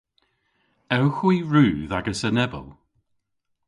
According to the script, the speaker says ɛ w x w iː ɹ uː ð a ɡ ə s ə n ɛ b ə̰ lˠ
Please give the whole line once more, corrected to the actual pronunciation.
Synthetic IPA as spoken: ɛ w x w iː ɹ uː ð a ɡ ə s ə n ɛ b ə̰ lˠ